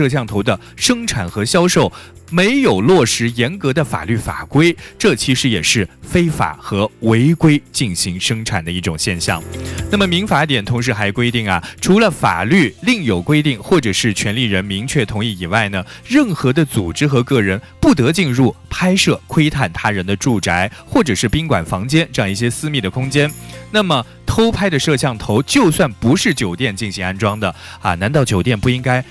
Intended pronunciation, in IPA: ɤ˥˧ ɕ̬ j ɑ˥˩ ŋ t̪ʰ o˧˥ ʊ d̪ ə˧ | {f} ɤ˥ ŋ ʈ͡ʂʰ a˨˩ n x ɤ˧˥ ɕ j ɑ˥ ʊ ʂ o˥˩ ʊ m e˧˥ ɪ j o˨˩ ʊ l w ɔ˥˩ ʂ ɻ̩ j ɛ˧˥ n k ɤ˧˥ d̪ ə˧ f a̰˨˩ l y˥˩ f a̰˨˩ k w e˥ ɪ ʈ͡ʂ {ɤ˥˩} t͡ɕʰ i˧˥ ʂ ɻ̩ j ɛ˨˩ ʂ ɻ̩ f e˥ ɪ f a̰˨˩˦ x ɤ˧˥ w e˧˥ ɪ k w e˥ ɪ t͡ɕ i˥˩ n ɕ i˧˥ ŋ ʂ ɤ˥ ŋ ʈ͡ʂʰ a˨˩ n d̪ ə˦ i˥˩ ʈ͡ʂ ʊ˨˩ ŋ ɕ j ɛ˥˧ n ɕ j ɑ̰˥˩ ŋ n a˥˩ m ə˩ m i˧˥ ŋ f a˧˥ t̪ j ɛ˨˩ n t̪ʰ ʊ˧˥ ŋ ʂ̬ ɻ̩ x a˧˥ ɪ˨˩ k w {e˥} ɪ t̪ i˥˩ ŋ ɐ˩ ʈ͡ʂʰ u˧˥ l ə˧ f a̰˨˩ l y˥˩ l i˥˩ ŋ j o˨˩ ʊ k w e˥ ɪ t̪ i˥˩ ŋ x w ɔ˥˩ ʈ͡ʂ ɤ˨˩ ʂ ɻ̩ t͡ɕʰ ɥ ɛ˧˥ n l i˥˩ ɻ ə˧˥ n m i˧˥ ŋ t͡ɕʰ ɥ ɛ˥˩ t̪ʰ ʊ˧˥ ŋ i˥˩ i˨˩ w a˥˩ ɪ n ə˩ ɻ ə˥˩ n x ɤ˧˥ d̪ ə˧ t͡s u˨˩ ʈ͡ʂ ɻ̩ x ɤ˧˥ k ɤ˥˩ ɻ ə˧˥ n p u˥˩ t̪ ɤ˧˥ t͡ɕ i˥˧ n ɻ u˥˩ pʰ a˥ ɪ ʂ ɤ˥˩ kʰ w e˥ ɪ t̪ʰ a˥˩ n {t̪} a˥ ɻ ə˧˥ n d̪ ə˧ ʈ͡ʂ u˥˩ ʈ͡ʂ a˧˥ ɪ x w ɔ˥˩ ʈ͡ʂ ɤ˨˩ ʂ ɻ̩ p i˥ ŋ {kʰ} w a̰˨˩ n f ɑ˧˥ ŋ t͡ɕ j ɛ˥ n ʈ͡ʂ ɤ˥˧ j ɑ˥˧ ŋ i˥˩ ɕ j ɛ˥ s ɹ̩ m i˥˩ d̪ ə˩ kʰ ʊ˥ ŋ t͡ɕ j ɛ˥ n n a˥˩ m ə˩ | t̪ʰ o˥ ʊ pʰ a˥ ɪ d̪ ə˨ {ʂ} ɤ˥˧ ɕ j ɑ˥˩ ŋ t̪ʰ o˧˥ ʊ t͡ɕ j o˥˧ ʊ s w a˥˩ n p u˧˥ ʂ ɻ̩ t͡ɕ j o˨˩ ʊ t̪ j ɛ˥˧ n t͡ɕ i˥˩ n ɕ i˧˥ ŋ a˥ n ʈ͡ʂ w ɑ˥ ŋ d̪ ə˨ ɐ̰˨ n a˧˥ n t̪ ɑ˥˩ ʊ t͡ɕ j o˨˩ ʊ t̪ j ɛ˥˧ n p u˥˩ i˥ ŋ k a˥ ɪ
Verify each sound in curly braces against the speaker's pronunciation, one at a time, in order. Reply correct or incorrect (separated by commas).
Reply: incorrect, correct, correct, incorrect, incorrect, correct